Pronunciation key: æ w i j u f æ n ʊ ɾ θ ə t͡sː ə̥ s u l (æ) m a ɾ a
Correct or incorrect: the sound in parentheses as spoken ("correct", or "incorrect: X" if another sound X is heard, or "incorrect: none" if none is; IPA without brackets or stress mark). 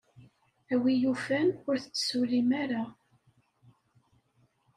incorrect: i